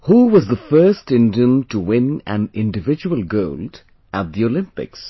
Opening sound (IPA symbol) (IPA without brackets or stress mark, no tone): h